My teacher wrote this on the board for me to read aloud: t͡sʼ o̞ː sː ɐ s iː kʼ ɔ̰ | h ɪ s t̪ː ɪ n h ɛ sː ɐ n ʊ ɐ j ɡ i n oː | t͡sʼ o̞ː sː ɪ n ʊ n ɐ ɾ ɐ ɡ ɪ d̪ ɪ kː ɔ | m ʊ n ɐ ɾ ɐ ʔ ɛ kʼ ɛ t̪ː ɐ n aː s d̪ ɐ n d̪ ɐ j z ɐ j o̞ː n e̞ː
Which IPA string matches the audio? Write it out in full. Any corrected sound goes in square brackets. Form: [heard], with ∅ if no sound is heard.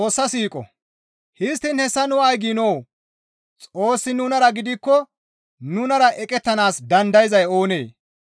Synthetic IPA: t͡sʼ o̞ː sː ɐ s iː kʼ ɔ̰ | h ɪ s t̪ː ɪ n h ɛ sː ɐ n ʊ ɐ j ɡ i n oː | t͡sʼ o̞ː sː ɪ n ʊ n ɐ ɾ ɐ ɡ ɪ d̪ ɪ kː ɔ | [n] ʊ n ɐ ɾ ɐ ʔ ɛ kʼ ɛ t̪ː ɐ n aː s d̪ ɐ n d̪ ɐ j z ɐ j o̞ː n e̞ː